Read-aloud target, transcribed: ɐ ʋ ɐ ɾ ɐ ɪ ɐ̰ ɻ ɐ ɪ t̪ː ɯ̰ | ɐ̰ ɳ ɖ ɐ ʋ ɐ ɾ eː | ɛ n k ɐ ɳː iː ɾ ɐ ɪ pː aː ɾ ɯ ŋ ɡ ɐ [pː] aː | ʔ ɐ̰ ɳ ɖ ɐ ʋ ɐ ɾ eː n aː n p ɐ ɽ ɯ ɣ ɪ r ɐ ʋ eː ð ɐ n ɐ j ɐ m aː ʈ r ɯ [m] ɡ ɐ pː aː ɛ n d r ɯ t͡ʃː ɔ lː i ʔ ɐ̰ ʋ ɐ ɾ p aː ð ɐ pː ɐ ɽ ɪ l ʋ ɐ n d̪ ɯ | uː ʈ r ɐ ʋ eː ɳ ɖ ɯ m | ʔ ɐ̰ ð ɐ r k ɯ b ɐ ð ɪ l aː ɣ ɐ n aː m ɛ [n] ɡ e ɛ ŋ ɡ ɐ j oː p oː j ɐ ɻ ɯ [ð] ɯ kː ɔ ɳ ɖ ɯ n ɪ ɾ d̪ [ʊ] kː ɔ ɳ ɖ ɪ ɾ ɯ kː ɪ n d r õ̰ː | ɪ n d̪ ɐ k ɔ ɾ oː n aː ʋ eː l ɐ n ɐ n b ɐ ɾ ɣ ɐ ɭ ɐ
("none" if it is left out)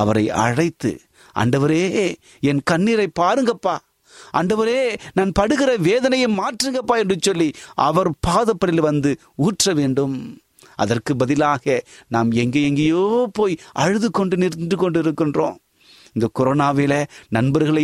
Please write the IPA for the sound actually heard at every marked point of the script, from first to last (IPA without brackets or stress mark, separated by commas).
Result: pː, ŋ, ŋ, ð, ɯ